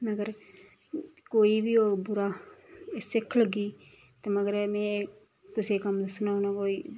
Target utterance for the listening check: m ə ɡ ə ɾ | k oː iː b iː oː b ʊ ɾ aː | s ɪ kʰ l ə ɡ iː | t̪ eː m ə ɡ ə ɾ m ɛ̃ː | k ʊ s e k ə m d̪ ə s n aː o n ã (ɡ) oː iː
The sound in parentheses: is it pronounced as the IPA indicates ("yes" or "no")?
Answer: no